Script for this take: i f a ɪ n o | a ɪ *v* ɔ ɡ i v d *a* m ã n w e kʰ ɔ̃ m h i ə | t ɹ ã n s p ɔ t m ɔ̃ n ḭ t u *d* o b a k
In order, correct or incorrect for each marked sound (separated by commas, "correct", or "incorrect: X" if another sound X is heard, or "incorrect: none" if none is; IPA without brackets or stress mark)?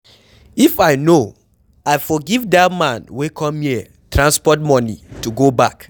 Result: incorrect: f, correct, incorrect: ɡ